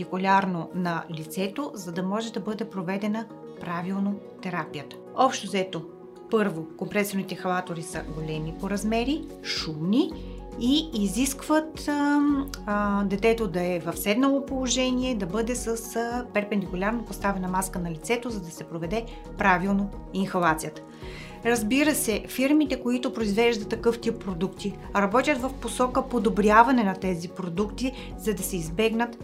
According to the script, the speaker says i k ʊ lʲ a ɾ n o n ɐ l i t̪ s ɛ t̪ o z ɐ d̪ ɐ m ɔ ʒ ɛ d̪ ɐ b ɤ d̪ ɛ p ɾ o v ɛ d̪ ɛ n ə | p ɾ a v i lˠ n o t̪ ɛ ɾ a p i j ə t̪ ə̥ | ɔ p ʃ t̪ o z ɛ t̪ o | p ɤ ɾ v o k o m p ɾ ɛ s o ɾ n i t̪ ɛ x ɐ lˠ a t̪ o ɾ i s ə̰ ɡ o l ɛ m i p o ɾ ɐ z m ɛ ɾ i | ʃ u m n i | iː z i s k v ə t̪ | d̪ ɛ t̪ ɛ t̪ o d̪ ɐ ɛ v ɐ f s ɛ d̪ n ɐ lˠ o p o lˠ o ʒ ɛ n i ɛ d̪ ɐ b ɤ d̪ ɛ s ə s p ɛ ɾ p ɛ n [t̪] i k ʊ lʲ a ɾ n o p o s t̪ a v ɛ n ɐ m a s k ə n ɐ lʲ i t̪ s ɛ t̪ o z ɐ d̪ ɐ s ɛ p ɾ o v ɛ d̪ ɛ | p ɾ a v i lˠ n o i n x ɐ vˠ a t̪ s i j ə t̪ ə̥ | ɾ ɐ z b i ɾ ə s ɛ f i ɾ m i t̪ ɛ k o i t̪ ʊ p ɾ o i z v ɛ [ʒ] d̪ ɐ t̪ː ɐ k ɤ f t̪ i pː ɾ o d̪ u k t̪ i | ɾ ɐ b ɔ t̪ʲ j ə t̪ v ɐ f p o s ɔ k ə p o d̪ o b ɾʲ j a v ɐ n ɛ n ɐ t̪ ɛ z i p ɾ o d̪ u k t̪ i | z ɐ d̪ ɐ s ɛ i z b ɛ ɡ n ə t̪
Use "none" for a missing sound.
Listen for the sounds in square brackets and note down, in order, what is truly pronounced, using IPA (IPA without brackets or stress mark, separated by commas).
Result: d̪, ʒ